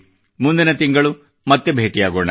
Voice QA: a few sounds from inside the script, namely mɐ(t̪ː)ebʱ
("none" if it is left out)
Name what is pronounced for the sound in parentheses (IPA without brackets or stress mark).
t̪ː